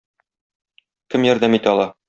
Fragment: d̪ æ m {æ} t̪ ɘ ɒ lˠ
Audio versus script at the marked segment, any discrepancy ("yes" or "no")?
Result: yes